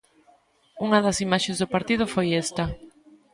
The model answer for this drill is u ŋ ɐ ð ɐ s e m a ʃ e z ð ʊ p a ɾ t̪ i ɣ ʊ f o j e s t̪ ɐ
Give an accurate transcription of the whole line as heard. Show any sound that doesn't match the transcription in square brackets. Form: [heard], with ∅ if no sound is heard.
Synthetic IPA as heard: u ŋ ɐ ð ɐ s [i] m a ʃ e z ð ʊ p a ɾ t̪ i [ð] ʊ f o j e s t̪ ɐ